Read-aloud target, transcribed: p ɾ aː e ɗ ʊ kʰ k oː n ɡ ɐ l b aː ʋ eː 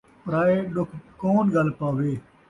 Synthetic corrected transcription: p ɾ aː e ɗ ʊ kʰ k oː n ɡ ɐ l p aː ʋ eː